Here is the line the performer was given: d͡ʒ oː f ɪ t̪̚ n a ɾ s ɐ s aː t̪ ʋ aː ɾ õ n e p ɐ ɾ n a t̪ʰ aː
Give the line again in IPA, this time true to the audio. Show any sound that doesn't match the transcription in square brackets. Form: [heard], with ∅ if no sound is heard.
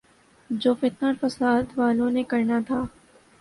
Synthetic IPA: d͡ʒ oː f ɪ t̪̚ n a ɾ [f] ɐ s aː [d̪] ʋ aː [l] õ n e [k] ɐ ɾ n a t̪ʰ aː

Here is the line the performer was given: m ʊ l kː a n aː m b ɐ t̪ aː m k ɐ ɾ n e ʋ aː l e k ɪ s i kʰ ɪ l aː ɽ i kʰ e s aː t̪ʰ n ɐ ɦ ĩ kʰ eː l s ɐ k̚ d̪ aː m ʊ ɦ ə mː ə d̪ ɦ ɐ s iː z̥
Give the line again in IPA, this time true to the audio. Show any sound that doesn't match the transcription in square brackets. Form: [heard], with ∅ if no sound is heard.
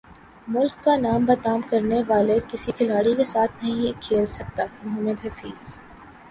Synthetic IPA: m ʊ l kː a n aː m b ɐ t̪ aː m k ɐ ɾ n e ʋ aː l e k ɪ s i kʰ ɪ l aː ɽ i [k] e s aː t̪ʰ n ɐ ɦ ĩ kʰ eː l s ɐ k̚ [t̪] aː m ʊ ɦ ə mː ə d̪ ɦ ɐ [f] iː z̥

